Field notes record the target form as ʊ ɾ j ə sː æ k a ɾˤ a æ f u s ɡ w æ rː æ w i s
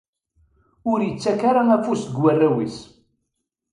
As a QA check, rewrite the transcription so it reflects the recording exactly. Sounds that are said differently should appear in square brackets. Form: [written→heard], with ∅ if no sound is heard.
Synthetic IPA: ʊ ɾ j ə [sː→t͡sː] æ k a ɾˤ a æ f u s ɡ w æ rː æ w i s